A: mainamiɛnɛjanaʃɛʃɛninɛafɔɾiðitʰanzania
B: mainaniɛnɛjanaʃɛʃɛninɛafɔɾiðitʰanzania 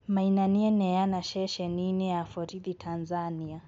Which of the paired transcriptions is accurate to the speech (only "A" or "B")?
B